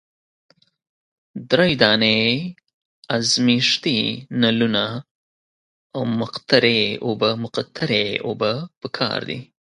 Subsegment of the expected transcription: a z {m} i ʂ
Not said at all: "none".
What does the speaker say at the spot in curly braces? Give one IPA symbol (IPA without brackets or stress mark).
m